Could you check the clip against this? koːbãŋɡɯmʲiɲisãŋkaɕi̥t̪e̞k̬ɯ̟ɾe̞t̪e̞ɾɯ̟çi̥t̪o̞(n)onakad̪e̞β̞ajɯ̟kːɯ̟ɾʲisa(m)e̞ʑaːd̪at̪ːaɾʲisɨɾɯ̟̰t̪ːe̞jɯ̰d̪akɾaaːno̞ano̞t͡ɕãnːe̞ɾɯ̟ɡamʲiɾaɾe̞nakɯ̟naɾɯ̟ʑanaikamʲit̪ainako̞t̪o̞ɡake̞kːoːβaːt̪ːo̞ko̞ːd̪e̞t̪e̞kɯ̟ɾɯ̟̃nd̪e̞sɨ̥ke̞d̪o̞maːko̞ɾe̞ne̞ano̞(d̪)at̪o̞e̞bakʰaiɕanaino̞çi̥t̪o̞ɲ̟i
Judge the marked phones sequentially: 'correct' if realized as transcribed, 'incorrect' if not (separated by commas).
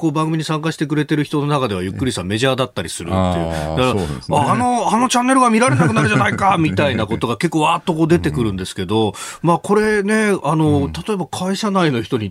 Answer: correct, correct, incorrect